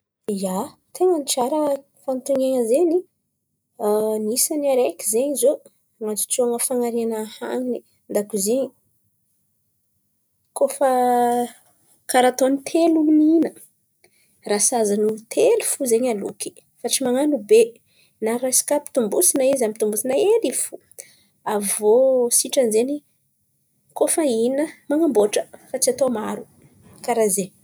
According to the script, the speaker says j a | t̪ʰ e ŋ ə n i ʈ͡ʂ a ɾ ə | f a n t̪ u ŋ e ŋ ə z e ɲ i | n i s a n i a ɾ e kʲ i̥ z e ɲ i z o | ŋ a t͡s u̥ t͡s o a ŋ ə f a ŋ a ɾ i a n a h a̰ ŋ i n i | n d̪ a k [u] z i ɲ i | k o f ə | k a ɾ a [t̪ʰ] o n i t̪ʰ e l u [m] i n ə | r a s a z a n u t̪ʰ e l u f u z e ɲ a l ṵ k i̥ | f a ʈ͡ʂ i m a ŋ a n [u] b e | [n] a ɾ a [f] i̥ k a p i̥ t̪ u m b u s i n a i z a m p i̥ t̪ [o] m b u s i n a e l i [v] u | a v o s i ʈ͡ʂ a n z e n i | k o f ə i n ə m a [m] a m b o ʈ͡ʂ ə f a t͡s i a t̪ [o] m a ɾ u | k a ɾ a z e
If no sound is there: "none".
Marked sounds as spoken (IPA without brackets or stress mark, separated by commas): u, t̪, n, u, n, s, u, f, ŋ, o